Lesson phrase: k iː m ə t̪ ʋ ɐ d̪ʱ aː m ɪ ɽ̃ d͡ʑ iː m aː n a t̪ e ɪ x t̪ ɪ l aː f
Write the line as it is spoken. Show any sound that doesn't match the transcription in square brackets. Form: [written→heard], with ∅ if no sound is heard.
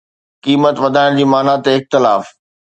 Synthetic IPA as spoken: k iː m ə t̪ ʋ ɐ d̪ʱ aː [m→∅] ɪ ɽ̃ d͡ʑ iː m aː n a t̪ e ɪ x t̪ ɪ l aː f